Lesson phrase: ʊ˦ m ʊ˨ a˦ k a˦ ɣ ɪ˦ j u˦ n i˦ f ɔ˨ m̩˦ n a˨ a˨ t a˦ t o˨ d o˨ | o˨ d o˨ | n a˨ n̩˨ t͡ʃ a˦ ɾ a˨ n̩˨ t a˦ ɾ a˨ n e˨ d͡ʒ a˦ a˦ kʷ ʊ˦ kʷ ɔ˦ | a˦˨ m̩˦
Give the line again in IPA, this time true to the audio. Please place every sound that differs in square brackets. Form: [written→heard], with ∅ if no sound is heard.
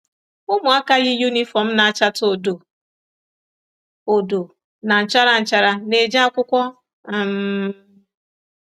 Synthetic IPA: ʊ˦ m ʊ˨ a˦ k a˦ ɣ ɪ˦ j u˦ n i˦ f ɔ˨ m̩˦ n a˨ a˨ [t→t͡ʃ] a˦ t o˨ d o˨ | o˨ d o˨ | n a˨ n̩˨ t͡ʃ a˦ ɾ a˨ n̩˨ [t→t͡ʃ] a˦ ɾ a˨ n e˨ d͡ʒ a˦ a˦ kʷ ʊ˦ kʷ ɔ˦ | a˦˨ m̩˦